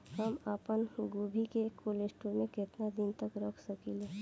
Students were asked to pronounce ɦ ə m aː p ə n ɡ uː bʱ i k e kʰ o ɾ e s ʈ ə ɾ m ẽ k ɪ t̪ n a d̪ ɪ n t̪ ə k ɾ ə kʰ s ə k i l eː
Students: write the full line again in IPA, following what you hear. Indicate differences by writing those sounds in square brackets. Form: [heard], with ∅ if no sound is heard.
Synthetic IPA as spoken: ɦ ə m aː p ə n ɡ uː bʱ i k e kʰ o [l] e s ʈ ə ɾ m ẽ k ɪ t̪ n a d̪ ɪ n t̪ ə k ɾ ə kʰ s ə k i l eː